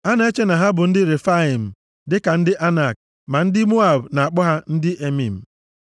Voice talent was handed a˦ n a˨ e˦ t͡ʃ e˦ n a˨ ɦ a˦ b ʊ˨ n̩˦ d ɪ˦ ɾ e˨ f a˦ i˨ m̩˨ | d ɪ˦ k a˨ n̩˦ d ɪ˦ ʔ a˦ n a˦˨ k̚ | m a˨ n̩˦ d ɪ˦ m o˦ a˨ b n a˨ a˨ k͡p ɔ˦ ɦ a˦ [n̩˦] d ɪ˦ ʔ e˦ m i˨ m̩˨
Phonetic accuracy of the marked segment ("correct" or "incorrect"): correct